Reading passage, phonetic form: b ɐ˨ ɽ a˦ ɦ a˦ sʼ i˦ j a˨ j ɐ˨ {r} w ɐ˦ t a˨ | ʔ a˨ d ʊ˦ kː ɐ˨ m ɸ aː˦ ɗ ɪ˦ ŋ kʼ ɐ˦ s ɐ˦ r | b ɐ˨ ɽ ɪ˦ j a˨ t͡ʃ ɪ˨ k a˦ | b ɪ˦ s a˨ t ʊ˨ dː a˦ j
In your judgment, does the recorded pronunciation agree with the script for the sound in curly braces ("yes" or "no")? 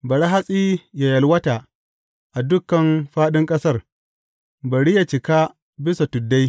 no